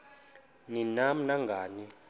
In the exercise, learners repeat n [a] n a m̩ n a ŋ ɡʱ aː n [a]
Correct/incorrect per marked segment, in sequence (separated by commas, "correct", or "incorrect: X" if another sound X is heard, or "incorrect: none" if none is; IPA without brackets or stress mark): incorrect: i, incorrect: i